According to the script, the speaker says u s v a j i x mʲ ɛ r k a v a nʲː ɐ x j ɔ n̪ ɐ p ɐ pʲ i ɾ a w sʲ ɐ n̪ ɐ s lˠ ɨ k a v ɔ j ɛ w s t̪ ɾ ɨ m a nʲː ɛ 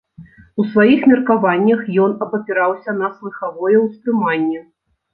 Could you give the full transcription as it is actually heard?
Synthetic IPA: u s v a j i x mʲ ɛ r k a v a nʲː ɐ x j ɔ n̪ ɐ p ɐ pʲ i ɾ a w sʲ ɐ n̪ ɐ s lˠ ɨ x a v ɔ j ɛ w s t̪ ɾ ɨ m a nʲː ɛ